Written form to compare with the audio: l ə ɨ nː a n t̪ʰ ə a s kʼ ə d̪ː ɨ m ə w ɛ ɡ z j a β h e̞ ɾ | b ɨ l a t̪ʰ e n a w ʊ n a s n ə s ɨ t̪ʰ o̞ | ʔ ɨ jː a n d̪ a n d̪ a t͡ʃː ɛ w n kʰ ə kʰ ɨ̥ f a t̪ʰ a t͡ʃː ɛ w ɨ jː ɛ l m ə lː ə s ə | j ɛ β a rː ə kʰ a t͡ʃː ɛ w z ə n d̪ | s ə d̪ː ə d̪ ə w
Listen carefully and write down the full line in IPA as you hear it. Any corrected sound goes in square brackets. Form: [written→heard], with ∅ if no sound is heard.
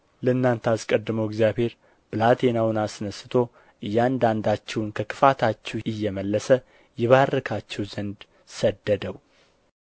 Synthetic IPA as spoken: l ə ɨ nː a n t̪ʰ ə a s kʼ ə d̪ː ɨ m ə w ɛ ɡ z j a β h e̞ ɾ | b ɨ l a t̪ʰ e n a w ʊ n a s n ə s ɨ t̪ʰ o̞ | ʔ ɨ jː a n d̪ a n d̪ a t͡ʃː ɛ w n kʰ ə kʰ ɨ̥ f a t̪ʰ a t͡ʃː ɛ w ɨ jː ɛ [l→∅] m ə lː ə s ə | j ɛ β a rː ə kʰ a t͡ʃː ɛ w z ə n d̪ | s ə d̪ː ə d̪ ə w